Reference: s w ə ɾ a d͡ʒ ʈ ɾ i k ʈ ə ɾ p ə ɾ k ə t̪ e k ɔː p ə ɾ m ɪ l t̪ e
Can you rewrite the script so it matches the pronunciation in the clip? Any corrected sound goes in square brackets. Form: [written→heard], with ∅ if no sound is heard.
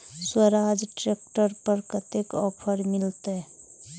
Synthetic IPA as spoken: s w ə ɾ a d͡ʒ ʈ ɾ [i→e] k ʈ ə ɾ p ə ɾ k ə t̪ e k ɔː [p→pʰ] ə ɾ m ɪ l t̪ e